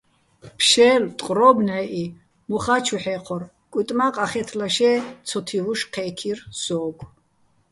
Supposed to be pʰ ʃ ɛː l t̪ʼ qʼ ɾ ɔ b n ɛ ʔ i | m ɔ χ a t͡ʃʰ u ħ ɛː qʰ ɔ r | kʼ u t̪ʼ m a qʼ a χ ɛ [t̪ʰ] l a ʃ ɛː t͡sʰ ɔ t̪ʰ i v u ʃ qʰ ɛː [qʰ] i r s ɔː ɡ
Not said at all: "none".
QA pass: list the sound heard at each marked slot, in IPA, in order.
t̪ʰ, kʰ

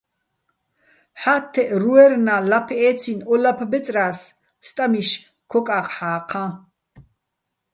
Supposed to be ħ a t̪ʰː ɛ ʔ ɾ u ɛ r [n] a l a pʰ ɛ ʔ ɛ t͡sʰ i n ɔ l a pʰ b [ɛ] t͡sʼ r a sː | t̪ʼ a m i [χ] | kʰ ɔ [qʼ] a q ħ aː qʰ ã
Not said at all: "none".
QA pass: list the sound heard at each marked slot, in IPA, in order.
n, ɛ, ʃ, kʼ

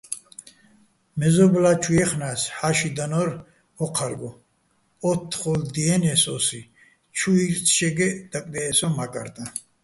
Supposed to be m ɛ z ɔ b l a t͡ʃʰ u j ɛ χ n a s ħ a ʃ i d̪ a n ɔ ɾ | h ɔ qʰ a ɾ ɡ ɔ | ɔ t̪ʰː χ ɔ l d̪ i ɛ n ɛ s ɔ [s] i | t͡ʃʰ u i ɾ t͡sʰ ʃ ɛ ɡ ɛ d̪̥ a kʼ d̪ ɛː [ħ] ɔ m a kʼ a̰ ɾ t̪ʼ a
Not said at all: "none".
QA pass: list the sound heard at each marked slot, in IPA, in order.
s, s

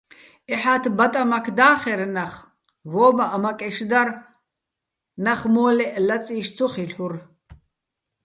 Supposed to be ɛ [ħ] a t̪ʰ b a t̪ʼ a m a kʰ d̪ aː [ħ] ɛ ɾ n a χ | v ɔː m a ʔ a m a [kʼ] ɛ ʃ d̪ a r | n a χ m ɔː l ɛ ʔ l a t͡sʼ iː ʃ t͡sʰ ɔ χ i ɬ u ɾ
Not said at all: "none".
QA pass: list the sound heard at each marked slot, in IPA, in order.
ħ, χ, kʼ

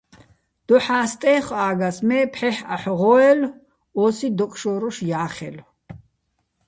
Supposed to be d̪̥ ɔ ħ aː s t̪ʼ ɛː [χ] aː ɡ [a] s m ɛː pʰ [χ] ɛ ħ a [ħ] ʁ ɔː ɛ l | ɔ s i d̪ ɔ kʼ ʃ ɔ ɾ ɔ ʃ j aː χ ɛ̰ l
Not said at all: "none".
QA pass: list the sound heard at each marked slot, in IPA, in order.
χ, a, ħ, ħ

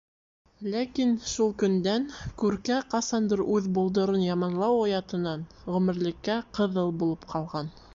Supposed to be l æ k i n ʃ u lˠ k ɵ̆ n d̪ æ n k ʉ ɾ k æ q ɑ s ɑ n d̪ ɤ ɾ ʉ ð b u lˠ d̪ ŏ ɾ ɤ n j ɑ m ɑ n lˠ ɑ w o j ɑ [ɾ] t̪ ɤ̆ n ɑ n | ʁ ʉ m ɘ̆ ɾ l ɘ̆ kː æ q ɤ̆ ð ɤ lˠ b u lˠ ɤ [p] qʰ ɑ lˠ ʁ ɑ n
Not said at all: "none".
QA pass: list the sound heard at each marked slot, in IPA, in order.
none, p

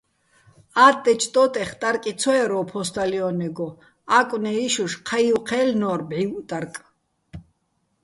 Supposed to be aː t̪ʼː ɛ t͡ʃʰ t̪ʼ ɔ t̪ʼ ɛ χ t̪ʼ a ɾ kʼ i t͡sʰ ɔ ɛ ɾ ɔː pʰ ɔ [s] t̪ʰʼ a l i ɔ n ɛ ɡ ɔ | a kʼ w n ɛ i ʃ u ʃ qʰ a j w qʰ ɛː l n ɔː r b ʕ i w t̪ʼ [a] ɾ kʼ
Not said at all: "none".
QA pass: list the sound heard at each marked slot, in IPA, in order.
s, a

